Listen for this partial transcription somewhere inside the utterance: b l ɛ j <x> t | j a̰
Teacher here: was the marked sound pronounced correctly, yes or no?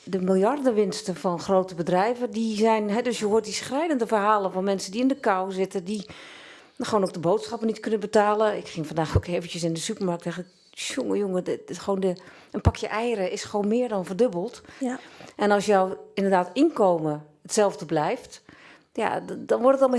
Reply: no